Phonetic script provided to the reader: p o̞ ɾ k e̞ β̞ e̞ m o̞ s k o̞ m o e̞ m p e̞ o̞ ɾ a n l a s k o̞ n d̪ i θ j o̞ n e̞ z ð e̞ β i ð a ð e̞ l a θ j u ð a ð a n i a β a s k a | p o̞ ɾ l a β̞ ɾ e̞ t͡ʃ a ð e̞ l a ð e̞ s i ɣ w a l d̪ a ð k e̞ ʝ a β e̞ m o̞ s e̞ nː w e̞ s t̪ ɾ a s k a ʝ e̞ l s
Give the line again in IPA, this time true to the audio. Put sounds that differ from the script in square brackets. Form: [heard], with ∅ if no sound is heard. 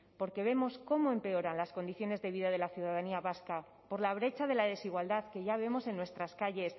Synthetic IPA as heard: p o̞ ɾ k e̞ β̞ e̞ m o̞ s k o̞ m o e̞ m p e̞ o̞ ɾ a n l a s k o̞ n d̪ i θ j o̞ n e̞ z ð e̞ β i ð a ð e̞ l a θ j u ð a ð a n i a β a s k a | p o̞ ɾ l a β̞ ɾ e̞ t͡ʃ a ð e̞ l a ð e̞ s i ɣ w a l d̪ a ð k e̞ ʝ a β e̞ m o̞ s e̞ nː w e̞ s t̪ ɾ a s k a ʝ e̞ [∅] s